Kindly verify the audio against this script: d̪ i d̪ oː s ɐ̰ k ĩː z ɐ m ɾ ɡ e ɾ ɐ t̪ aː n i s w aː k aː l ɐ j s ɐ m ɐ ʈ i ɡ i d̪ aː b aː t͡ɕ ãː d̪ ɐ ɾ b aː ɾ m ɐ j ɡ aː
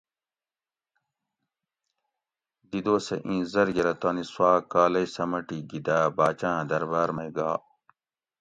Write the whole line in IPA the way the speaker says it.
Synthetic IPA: d̪ i d̪ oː s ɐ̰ ʔ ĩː z ɐ ɾ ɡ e ɾ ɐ t̪ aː n i s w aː k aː l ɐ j s ɐ m ɐ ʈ i ɡ i d̪ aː b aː t͡ɕ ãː d̪ ɐ ɾ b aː ɾ m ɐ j ɡ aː